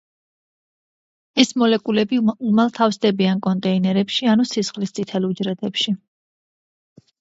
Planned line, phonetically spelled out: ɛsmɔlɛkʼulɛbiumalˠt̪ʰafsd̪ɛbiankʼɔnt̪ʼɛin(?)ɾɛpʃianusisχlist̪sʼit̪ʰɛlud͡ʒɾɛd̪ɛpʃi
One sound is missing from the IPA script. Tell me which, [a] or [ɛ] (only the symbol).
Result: ɛ